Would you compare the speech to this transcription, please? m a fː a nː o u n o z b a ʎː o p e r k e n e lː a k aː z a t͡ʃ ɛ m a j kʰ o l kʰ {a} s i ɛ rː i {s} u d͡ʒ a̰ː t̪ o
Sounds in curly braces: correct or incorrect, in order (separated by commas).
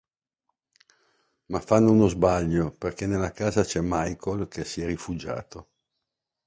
incorrect, incorrect